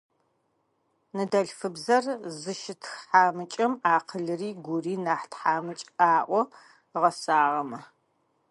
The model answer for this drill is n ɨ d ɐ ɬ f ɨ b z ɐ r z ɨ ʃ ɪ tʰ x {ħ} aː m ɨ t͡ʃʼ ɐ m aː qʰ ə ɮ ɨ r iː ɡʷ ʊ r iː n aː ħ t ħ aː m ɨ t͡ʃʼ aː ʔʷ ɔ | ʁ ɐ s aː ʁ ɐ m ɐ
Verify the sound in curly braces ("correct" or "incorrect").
correct